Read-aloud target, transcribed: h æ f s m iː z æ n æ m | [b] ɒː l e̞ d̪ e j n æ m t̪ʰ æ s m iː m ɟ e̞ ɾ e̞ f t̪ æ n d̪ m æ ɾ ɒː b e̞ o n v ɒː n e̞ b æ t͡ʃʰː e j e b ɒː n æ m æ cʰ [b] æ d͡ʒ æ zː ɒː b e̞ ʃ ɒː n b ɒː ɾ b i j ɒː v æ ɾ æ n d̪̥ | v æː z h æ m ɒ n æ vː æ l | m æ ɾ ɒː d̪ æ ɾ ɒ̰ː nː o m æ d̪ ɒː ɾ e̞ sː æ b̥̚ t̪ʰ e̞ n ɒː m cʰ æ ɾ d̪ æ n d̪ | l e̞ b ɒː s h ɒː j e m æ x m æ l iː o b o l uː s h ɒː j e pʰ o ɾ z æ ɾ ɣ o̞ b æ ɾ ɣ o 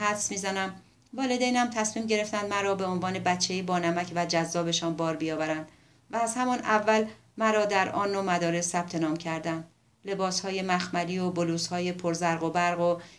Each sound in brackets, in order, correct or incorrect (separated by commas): incorrect, incorrect